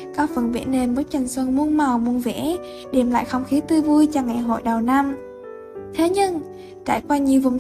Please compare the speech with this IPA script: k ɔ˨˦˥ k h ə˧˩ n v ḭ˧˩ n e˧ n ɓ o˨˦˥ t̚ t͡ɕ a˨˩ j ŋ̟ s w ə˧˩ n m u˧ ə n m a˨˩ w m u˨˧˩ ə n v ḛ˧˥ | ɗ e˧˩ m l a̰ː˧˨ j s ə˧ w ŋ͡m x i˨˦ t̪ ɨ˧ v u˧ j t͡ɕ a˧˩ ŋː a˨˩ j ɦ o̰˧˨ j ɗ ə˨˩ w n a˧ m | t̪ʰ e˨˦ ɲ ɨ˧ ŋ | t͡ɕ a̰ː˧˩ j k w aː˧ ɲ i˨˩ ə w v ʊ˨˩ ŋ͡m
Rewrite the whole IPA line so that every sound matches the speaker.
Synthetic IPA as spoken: k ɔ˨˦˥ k f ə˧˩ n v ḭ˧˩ n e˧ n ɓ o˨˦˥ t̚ t͡ɕ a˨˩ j ŋ̟ s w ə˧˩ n m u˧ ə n m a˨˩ w m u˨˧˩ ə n v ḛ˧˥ | ɗ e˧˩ m l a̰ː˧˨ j x ə˧ w ŋ͡m x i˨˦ t̪ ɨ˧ v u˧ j t͡ɕ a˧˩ ŋ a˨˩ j ɦ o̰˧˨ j ɗ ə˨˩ w n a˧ m | t̪ʰ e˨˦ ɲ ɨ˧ ŋ | t͡ɕ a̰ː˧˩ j k w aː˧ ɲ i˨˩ ə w v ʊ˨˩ ŋ͡m